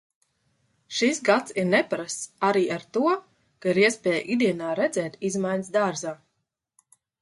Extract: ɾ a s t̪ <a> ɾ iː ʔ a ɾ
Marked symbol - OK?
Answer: yes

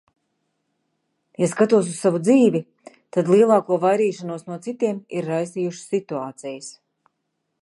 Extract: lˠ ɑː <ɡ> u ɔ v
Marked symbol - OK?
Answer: no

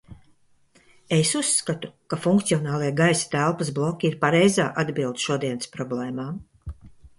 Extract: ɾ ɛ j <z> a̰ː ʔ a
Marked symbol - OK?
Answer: yes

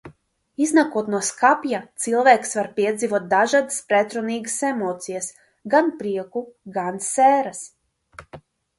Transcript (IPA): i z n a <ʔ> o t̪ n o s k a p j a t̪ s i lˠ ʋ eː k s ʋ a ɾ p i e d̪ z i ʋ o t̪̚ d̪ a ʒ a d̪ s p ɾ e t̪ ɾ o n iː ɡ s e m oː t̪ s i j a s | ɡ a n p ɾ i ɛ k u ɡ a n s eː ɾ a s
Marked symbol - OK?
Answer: no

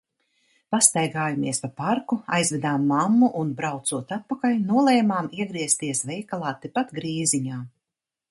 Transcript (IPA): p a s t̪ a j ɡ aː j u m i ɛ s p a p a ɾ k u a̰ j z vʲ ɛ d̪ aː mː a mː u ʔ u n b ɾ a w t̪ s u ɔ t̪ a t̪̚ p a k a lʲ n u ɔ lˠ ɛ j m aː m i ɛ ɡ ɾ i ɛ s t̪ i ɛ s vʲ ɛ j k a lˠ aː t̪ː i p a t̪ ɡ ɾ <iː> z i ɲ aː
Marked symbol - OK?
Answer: yes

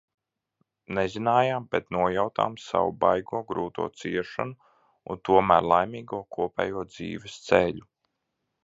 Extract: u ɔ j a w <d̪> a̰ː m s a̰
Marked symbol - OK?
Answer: no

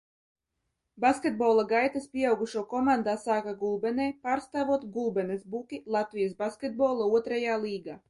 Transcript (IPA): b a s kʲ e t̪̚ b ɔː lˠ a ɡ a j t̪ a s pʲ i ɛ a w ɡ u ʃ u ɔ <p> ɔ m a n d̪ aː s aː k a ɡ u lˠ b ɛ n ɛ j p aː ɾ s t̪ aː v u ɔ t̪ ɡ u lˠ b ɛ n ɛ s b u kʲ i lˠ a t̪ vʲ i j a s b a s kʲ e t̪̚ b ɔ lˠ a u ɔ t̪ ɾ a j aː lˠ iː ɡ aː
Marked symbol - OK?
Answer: no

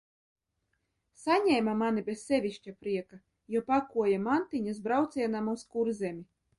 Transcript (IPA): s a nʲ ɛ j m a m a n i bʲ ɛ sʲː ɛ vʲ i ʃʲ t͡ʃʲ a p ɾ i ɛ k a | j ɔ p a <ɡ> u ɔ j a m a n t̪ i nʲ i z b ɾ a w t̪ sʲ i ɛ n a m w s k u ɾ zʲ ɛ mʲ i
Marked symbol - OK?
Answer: no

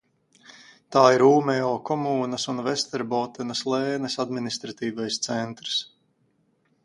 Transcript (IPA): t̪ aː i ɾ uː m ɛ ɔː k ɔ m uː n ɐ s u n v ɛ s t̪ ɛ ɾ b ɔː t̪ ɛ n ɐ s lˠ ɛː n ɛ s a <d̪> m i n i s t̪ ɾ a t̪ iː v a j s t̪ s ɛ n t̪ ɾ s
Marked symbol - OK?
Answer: yes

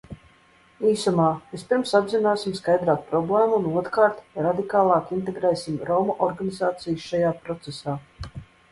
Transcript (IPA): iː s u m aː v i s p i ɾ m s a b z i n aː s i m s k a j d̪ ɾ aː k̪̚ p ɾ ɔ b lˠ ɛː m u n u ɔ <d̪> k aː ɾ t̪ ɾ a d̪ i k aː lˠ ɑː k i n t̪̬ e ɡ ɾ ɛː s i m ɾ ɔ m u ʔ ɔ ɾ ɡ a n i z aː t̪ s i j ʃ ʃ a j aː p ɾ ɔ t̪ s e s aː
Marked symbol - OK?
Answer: no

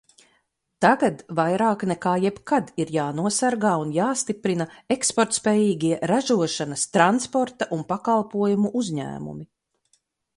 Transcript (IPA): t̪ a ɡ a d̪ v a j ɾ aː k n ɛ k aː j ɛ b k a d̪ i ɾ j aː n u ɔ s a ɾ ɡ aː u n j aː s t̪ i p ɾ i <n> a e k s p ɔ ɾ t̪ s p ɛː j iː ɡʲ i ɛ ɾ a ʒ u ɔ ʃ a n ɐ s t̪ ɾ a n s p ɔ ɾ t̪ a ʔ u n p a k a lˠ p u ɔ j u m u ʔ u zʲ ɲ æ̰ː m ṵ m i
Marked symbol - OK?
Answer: yes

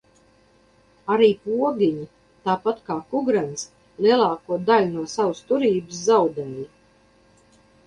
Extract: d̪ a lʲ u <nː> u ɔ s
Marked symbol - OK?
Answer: no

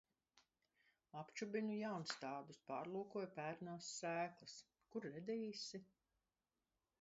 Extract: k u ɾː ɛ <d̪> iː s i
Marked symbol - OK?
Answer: yes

